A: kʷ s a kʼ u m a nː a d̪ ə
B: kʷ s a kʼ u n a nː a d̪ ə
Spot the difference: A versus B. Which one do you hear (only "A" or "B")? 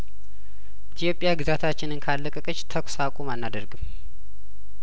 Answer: A